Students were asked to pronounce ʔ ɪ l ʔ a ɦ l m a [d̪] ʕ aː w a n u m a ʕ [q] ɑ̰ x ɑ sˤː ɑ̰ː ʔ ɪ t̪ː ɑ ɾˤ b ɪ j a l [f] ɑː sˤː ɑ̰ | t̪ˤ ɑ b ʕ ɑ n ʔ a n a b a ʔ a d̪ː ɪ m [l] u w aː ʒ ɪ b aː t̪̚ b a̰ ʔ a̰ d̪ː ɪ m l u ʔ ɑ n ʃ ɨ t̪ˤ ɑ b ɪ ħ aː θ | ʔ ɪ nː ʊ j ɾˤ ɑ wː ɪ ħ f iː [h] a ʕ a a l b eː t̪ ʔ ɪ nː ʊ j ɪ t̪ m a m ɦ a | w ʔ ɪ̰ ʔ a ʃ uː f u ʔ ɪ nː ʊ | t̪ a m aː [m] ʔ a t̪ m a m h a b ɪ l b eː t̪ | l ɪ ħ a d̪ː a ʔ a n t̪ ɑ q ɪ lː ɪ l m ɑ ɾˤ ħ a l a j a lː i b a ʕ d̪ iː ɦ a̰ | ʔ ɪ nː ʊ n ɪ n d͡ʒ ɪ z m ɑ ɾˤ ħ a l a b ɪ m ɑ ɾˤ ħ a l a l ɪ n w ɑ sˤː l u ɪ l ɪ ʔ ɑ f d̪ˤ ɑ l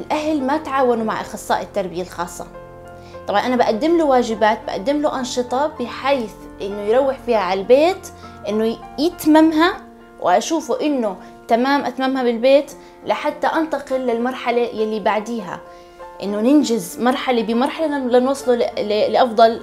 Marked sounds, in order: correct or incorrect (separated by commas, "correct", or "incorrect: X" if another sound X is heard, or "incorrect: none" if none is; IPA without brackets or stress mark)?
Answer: incorrect: t̪, incorrect: ʔ, incorrect: x, correct, correct, correct